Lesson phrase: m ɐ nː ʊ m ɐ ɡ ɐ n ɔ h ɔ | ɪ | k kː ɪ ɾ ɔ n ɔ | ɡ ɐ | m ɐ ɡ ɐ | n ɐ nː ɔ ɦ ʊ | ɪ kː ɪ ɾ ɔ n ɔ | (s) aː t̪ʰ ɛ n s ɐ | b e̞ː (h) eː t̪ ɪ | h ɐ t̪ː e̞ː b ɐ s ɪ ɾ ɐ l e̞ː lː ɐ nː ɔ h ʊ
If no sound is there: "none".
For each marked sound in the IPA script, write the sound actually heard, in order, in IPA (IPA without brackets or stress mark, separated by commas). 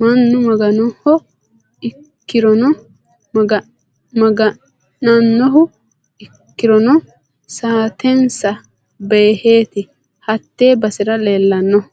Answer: s, h